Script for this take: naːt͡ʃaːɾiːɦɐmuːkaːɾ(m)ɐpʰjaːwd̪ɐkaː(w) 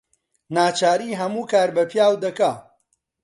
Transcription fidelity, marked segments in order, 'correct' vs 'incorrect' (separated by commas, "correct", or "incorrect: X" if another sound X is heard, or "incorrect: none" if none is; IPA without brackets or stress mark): incorrect: b, incorrect: none